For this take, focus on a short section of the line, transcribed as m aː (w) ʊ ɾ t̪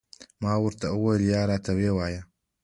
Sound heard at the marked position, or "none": w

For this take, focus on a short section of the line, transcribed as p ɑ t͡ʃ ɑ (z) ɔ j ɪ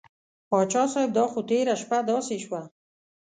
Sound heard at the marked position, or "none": s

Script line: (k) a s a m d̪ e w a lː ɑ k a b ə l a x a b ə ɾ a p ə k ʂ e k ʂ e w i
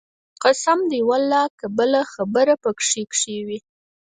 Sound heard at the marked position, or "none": q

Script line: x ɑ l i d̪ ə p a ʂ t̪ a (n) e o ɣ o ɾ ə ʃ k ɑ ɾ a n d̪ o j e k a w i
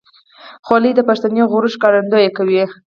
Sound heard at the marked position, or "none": n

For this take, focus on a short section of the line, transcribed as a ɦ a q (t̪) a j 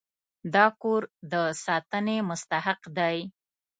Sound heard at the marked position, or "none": d̪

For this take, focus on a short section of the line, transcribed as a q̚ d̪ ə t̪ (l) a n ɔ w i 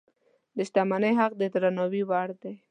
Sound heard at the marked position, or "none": ɾ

